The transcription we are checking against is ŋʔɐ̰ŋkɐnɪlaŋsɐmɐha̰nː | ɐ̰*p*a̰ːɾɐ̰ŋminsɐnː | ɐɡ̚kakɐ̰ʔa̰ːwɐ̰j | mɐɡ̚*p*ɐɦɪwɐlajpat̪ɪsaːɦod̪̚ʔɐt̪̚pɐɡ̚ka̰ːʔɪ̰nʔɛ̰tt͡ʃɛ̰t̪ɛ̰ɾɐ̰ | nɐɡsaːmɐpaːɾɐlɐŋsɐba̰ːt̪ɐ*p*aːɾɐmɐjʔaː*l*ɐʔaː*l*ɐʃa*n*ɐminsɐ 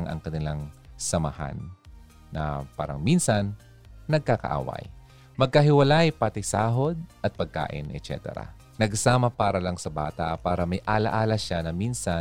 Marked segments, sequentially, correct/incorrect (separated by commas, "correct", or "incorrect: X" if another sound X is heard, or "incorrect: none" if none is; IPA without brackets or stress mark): correct, incorrect: k, correct, correct, correct, correct